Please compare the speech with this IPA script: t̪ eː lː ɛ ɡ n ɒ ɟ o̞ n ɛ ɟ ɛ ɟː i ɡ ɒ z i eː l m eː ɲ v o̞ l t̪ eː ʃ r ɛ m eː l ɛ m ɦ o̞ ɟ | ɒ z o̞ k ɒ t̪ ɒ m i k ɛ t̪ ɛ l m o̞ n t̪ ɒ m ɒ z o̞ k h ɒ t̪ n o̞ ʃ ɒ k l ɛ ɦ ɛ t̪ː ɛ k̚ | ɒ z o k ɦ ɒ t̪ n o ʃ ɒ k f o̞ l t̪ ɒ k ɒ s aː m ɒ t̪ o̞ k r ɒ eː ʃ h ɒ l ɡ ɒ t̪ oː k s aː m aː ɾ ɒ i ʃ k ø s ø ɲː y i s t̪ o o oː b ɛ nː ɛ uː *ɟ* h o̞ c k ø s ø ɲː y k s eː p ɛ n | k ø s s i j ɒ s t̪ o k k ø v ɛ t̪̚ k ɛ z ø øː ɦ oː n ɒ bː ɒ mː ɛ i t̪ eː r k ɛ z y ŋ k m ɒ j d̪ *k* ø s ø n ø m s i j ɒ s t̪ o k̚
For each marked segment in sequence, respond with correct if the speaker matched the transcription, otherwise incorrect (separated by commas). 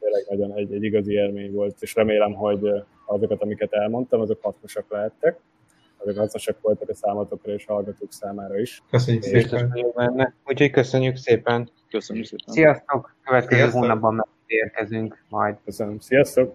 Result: incorrect, correct